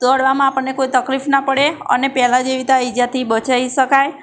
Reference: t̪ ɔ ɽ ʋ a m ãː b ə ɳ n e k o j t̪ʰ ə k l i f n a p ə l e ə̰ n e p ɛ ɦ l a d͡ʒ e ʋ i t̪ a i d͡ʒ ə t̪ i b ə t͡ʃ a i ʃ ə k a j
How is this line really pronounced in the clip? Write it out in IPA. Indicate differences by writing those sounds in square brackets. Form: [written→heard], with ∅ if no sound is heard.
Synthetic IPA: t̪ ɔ ɽ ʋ a m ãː [b→p] ə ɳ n e k o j [t̪ʰ→t̪] ə k l i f n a p ə [l→ɽ] e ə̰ n e p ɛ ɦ l a d͡ʒ e ʋ i t̪ a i d͡ʒ [ə→a] t̪ i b ə t͡ʃ a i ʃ ə k a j

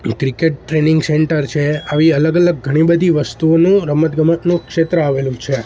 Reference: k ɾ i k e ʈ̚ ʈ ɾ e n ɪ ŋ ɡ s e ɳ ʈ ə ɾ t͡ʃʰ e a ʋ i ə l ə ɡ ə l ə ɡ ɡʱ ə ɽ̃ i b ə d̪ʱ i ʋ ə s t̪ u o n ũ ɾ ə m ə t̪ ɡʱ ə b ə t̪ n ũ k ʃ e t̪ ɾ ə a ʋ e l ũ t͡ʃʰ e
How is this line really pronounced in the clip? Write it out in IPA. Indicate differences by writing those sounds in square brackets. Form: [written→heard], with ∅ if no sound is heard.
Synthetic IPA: k ɾ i k e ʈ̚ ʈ ɾ e n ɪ ŋ ɡ s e ɳ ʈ ə ɾ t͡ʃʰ e a ʋ i ə l ə ɡ ə l ə ɡ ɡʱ ə ɽ̃ i b ə d̪ʱ i ʋ ə s t̪ u o n ũ ɾ ə m ə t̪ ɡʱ ə [b→m] ə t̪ n ũ k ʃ e t̪ ɾ ə a ʋ e l ũ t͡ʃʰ e

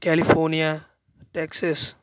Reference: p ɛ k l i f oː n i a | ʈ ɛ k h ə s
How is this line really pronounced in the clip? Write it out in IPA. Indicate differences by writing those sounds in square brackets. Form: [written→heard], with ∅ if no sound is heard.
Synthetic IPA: [p→k] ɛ [k→∅] l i f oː n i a | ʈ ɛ k [h→s] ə s

